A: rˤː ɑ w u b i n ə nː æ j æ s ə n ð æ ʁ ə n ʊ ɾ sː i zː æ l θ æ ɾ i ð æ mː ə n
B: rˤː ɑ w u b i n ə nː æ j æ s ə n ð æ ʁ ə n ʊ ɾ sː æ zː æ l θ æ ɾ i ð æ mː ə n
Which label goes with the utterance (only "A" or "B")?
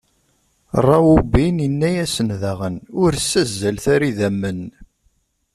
B